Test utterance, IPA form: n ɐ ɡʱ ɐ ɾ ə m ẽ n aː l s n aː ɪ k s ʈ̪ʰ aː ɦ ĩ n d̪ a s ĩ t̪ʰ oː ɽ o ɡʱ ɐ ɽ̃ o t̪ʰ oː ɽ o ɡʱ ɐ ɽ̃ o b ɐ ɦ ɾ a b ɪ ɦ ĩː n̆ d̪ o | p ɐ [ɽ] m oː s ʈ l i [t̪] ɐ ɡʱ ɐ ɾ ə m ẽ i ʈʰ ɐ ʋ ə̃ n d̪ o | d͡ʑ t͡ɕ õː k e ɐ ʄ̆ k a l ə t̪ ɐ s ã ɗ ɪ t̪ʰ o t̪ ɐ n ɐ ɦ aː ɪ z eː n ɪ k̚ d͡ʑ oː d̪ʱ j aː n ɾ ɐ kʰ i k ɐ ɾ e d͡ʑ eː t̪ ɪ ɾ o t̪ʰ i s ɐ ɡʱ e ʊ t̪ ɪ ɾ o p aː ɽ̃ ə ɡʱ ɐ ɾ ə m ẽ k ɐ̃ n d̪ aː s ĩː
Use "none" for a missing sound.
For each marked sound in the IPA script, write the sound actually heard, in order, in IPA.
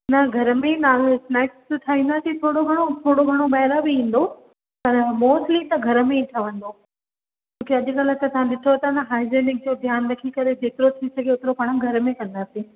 ɾ, t̪

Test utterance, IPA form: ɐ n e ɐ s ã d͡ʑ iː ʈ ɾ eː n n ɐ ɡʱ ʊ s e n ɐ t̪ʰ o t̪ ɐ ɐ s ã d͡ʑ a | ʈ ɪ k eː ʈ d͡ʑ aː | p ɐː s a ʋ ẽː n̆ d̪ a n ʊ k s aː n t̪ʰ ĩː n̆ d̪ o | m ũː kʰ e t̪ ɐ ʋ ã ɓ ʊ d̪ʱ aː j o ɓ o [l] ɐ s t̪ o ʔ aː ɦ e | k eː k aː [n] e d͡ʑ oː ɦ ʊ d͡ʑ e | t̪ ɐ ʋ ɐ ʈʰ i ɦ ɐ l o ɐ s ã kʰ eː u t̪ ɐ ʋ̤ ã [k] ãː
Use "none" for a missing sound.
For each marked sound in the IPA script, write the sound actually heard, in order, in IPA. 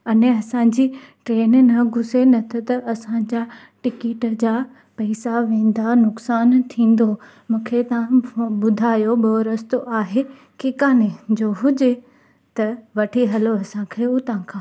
ɾ, n, kʰ

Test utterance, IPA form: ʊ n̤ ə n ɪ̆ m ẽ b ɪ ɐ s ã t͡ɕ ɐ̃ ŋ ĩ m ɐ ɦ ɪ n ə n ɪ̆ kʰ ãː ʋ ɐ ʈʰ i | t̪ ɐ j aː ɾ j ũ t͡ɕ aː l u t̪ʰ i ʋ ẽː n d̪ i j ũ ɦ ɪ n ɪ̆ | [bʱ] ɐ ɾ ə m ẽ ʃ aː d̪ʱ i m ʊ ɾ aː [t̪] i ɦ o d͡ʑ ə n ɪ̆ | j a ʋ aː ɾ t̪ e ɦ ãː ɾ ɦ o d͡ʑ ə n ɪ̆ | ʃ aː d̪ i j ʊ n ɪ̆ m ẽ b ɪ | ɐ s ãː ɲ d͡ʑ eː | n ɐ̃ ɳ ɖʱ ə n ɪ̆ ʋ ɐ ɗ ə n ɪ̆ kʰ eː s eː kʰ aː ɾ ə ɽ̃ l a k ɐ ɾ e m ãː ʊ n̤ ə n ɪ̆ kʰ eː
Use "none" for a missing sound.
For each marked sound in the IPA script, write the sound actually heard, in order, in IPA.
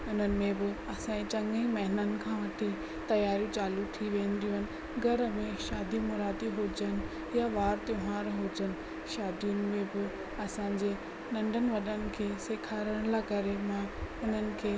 ɡʱ, d̪

